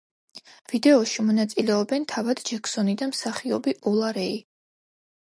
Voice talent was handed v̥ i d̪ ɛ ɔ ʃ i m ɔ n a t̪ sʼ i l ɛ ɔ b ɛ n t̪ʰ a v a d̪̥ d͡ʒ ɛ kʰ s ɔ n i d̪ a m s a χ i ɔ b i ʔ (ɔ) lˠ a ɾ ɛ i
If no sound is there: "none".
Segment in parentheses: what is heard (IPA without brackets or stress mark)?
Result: ɔ